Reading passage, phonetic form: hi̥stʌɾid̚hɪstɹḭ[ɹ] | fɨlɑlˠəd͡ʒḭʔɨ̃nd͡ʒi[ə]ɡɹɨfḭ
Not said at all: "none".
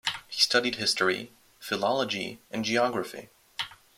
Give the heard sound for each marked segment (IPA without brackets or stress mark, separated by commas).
none, ɑ